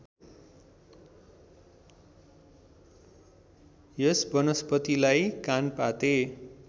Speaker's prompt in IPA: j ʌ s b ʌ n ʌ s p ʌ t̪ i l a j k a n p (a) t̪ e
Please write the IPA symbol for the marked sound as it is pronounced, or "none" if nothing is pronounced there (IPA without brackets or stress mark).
a